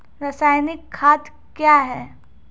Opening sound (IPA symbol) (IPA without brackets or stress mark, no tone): ɾ